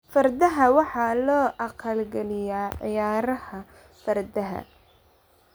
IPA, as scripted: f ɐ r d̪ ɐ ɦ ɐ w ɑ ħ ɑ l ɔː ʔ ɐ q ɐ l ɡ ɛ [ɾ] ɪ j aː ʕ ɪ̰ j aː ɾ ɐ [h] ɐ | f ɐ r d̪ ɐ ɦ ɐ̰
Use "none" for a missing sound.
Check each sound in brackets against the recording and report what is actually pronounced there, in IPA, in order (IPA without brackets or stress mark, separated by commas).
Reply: l, h